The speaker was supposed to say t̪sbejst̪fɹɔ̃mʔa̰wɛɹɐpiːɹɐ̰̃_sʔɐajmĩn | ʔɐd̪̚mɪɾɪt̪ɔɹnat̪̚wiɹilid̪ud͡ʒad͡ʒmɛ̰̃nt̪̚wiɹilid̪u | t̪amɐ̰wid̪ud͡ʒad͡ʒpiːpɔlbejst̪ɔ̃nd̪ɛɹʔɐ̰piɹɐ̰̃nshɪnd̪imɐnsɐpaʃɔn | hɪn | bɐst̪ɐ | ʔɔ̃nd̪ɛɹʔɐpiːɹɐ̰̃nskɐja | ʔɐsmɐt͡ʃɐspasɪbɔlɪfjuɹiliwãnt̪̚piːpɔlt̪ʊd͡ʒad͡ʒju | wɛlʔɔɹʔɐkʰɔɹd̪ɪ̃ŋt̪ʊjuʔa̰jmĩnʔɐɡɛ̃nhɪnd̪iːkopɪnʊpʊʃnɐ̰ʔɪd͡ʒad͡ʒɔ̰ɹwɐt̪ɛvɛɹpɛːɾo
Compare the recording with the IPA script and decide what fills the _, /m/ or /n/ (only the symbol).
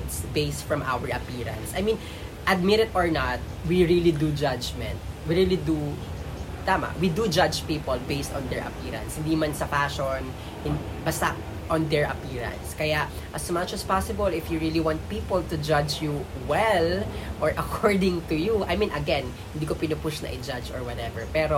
n